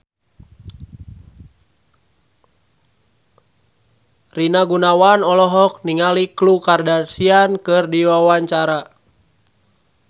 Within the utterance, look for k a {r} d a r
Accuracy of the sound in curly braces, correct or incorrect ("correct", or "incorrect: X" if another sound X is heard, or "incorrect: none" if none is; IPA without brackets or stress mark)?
correct